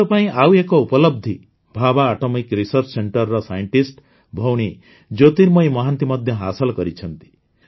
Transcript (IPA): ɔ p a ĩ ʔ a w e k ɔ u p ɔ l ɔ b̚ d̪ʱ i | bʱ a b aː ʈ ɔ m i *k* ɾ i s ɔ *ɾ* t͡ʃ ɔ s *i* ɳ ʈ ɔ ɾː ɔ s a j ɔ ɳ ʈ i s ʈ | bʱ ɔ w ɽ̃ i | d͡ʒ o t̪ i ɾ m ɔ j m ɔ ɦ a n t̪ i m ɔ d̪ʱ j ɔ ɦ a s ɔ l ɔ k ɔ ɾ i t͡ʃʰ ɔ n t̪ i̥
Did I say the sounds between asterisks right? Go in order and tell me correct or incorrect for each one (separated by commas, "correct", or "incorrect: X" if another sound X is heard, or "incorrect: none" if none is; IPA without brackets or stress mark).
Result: correct, correct, incorrect: e